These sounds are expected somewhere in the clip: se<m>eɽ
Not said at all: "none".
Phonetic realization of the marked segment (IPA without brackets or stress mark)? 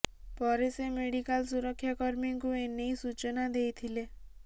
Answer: m